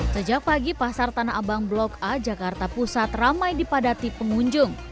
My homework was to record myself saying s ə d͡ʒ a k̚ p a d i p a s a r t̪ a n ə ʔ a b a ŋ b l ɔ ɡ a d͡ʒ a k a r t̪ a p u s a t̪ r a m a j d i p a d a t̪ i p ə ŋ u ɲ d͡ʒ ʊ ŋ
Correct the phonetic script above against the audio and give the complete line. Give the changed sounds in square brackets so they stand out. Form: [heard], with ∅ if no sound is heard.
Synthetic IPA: s ə d͡ʒ a k̚ p a [ɡ] i p a s a r t̪ a n [a] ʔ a b a ŋ b l ɔ [k] a d͡ʒ a k a r t̪ a p u s a t̪ r a m a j d i p a d a t̪ i p ə ŋ u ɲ d͡ʒ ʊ ŋ

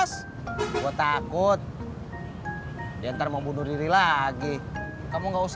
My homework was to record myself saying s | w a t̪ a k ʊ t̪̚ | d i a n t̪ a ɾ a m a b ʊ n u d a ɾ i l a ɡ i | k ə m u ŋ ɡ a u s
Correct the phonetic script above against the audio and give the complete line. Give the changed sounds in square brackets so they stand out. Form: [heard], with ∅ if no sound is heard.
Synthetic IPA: s | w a t̪ a k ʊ t̪̚ | d i a n t̪ a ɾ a m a b [u] n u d [i] ɾ i l a ɡ i | k [a] m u ŋ ɡ a u s

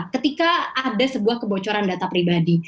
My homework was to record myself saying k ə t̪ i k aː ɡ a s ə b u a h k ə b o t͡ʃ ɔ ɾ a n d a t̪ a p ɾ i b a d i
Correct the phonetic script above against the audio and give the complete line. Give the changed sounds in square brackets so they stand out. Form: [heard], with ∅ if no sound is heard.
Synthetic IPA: k ə t̪ i k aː [d] a s ə b u a h k ə b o t͡ʃ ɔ ɾ a n d a t̪ a p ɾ i b a d i

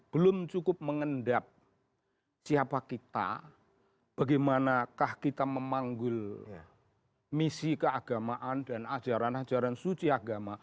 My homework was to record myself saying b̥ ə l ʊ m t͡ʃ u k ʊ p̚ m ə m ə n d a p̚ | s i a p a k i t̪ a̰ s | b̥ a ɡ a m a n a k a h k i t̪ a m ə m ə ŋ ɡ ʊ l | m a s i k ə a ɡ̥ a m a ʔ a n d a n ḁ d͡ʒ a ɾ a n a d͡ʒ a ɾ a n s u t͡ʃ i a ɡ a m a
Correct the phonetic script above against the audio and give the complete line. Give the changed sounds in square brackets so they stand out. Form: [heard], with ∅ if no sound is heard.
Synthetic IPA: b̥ ə l ʊ m t͡ʃ u k ʊ p̚ m ə [ŋ] ə n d a p̚ | s i a p a k i t̪ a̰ [∅] | b̥ a ɡ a m a n a k a h k i t̪ a m ə m [a] ŋ ɡ ʊ l | m [i] s i k ə a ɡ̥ a m a ʔ a n d a n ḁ d͡ʒ a ɾ a n a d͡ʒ a ɾ a n s u t͡ʃ i a ɡ a m a

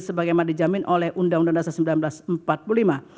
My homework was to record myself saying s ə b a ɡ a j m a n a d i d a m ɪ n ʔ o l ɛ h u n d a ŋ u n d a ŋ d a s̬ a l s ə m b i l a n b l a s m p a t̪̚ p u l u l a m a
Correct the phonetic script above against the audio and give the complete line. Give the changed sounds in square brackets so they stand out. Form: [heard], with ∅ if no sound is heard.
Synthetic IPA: s ə b a ɡ a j m a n a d i [d͡ʒ] a m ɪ n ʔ o l ɛ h u n d a ŋ u n d a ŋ d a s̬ a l s ə m b i l a n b l a s m p a t̪̚ p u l u l [i] m a

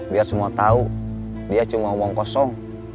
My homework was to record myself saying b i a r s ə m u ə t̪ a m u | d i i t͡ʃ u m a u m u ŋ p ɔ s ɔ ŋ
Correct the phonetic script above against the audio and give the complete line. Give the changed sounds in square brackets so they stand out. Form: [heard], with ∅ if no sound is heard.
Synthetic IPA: b i a r s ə m u [a] t̪ a [∅] u | d i [a] t͡ʃ u m a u m [ɔ] ŋ [k] ɔ s ɔ ŋ

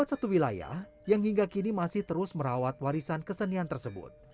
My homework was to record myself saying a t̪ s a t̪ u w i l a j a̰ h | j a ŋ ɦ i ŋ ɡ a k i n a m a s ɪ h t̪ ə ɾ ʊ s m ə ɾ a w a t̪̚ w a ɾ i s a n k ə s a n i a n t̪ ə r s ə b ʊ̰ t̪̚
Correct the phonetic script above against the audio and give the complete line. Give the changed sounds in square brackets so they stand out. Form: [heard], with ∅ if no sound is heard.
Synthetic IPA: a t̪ s a t̪ u w i l a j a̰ h | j a ŋ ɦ i ŋ ɡ a k i n [i] m a s ɪ h t̪ ə ɾ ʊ s m ə ɾ a w a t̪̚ w a ɾ i s a n k ə s [ə] n i a n t̪ ə r s ə b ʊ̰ t̪̚

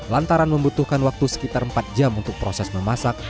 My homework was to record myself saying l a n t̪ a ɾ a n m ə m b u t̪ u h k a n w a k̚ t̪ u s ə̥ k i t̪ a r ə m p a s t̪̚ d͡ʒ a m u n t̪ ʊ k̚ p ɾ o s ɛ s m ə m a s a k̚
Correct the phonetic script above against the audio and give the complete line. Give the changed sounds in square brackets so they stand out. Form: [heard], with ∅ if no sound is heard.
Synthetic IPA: l a n t̪ a ɾ a n m ə m b u t̪ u h k a n w a k̚ t̪ u s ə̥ k i t̪ a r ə m p a [∅] t̪̚ d͡ʒ a m u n t̪ ʊ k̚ p ɾ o s ɛ s m ə m a s a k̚

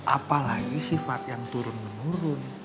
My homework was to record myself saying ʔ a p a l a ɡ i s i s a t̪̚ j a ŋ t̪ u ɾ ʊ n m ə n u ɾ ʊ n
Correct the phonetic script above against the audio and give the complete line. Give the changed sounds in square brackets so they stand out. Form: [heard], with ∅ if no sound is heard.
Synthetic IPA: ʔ a p a l a ɡ i s i [f] a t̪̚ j a ŋ t̪ u ɾ ʊ n m ə n u ɾ ʊ n

